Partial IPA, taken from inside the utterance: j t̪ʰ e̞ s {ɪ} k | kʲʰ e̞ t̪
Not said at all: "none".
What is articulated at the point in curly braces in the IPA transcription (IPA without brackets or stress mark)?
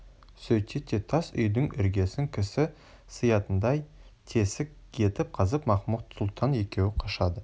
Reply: ɪ